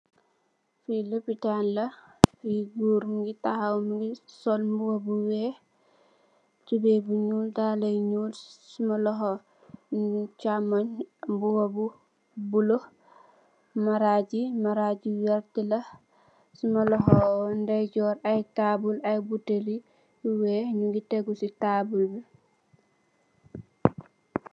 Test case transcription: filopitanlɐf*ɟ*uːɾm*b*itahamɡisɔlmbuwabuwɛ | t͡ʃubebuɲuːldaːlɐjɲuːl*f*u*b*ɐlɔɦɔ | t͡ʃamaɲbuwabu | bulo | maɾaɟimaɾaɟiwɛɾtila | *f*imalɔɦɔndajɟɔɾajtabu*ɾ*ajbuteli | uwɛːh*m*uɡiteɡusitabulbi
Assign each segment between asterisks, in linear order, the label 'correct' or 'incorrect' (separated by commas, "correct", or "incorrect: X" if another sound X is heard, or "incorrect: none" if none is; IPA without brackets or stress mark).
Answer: incorrect: ɡ, incorrect: ɡ, incorrect: s, incorrect: m, incorrect: s, incorrect: l, incorrect: ɲ